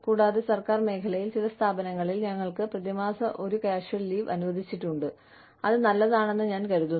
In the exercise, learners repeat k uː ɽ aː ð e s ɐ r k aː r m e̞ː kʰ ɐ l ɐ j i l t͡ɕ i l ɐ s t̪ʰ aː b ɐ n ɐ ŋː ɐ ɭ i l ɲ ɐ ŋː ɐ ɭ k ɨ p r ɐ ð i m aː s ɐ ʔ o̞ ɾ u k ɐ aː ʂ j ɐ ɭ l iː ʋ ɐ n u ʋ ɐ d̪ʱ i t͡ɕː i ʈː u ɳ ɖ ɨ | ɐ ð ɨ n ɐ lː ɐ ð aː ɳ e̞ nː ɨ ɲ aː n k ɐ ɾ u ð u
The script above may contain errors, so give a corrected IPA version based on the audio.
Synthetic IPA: k uː ɽ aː ð e s ɐ r k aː r m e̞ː kʰ ɐ l ɐ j i l t͡ɕ i l ɐ s t̪ʰ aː b ɐ n ɐ ŋː ɐ ɭ i l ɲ ɐ ŋː ɐ ɭ k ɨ p r ɐ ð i m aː s ɐ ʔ o̞ ɾ u k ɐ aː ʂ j ɐ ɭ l iː ʋ ɐ n u ʋ ɐ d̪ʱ i t͡ɕː i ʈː u ɳ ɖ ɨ | ɐ ð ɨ n ɐ lː ɐ ð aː ɳ e̞ nː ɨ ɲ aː n k ɐ ɾ u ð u

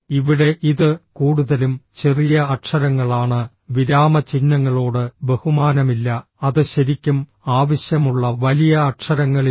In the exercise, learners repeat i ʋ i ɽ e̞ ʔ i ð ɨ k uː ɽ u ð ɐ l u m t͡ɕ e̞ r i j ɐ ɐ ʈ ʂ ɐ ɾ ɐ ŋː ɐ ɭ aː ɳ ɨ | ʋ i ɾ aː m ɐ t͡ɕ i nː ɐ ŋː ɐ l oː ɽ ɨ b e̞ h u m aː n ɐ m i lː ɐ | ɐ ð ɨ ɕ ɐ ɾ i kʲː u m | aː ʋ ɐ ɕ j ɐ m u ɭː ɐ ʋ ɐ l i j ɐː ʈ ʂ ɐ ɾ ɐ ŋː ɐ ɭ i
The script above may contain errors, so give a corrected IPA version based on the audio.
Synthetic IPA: i ʋ i ɽ e̞ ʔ i ð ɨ k uː ɽ u ð ɐ l u m t͡ɕ e̞ r i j ɐ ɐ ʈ ʂ ɐ ɾ ɐ ŋː ɐ ɭ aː ɳ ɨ | ʋ i ɾ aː m ɐ t͡ɕ i nː ɐ ŋː ɐ ɭ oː ɽ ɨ b e̞ h u m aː n ɐ m i lː ɐ | ɐ ð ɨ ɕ ɐ ɾ i kʲː u m | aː ʋ ɐ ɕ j ɐ m u ɭː ɐ ʋ ɐ l i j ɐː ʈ ʂ ɐ ɾ ɐ ŋː ɐ ɭ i

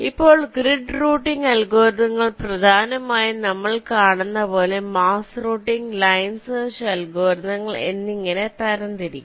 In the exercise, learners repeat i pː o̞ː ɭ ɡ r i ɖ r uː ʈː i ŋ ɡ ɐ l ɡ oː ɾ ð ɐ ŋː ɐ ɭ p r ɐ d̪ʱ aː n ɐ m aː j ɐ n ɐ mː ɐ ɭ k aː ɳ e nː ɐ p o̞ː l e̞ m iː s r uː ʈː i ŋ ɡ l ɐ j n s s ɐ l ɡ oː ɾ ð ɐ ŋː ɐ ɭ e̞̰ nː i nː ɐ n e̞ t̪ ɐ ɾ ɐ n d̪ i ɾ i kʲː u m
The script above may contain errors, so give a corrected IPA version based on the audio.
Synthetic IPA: i pː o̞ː ɭ ɡ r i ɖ r uː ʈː i ŋ ɡ ɐ l ɡ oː ɾ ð ɐ ŋː ɐ ɭ p r ɐ d̪ʱ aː n ɐ m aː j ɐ n ɐ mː ɐ ɭ k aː ɳ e nː ɐ p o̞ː l e̞ m aː s r uː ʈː i ŋ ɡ l ɐ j n s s ɐ l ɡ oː ɾ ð ɐ ŋː ɐ ɭ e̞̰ nː i ŋː ɐ n e̞ t̪ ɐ ɾ ɐ n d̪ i ɾ i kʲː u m

